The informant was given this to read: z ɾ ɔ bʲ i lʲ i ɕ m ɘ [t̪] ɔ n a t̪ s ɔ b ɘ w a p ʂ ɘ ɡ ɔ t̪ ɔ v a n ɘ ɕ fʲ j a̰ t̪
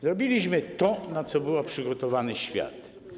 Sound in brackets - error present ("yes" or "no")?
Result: no